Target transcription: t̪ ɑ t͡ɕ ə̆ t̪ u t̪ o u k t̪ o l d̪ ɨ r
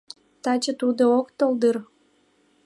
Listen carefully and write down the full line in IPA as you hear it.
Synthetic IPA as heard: t̪ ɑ t͡ɕ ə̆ t̪ u d̪ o o k t̪ o l d̪ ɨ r